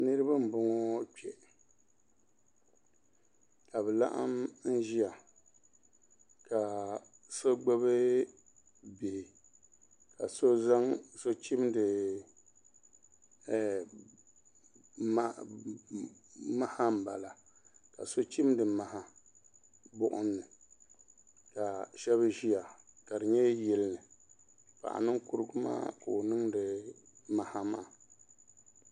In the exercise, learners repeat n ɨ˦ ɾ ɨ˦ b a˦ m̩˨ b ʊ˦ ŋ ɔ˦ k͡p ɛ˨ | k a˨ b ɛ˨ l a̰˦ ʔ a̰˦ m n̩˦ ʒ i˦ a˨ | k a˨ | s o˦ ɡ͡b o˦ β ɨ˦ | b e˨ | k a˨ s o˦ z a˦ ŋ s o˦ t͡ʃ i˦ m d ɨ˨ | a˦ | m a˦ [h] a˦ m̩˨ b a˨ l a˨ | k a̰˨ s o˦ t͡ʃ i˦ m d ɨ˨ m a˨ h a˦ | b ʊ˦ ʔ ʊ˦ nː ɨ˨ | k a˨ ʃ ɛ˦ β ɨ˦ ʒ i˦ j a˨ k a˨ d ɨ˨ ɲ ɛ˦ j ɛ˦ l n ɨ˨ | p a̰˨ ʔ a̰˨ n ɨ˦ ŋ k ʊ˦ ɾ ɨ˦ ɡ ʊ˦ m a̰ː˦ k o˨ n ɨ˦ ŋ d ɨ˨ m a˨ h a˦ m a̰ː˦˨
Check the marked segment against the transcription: correct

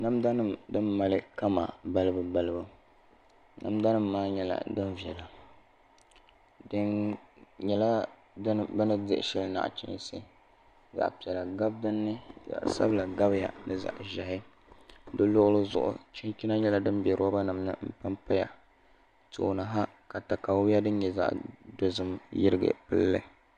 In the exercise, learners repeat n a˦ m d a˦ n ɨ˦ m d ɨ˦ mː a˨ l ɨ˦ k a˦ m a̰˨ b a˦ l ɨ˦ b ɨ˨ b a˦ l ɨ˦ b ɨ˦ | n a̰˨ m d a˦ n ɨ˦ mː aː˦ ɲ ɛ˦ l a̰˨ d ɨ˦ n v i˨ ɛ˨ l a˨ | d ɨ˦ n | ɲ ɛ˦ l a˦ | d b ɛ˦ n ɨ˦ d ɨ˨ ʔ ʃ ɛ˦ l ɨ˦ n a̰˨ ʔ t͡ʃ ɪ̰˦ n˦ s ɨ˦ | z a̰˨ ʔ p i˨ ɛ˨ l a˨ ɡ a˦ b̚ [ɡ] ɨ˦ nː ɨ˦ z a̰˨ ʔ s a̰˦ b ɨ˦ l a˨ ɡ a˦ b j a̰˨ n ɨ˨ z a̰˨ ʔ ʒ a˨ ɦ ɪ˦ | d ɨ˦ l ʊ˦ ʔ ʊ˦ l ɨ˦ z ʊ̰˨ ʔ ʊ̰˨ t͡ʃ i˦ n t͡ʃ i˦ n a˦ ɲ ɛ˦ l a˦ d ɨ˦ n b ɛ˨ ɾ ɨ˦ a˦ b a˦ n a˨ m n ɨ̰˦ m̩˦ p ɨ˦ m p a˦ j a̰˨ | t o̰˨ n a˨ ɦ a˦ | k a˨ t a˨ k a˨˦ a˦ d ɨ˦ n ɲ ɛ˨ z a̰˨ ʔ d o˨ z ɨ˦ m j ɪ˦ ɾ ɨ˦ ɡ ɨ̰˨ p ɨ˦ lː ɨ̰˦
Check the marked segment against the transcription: incorrect: d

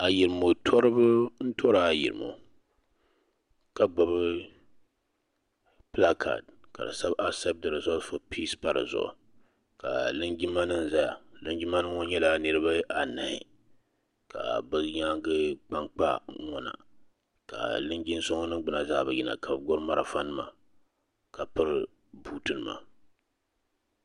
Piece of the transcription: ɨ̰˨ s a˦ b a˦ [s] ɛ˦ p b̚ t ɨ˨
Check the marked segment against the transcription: correct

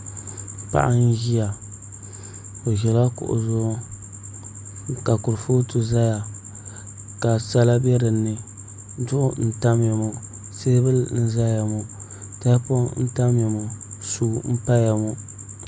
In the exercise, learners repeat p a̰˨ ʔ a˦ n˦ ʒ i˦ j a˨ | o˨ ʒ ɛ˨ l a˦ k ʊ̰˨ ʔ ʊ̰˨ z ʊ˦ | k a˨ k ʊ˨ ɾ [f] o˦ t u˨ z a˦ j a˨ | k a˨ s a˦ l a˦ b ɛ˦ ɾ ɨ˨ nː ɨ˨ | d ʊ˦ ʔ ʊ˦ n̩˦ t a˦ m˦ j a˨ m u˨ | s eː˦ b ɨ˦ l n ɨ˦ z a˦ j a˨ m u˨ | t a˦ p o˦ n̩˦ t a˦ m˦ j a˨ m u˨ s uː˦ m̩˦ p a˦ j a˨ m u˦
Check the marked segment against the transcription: correct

